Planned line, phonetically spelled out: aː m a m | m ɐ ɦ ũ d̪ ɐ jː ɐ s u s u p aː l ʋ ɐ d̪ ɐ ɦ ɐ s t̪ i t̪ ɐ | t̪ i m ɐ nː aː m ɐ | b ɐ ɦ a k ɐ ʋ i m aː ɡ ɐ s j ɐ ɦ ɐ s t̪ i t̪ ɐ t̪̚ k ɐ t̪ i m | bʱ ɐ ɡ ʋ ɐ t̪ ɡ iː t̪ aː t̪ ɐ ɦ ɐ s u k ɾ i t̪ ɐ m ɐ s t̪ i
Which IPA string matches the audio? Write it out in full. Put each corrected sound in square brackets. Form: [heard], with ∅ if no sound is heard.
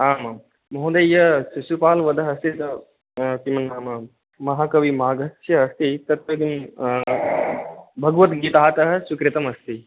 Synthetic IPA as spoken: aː m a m | m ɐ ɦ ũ d̪ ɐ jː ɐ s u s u p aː l ʋ ɐ d̪ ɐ ɦ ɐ s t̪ i t̪ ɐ | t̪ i m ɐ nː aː m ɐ | [m] ɐ ɦ a k ɐ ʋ i m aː ɡ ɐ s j ɐ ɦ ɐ s t̪ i t̪ ɐ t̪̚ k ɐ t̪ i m | bʱ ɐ ɡ ʋ ɐ t̪ ɡ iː t̪ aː t̪ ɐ ɦ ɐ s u k ɾ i t̪ ɐ m ɐ s t̪ i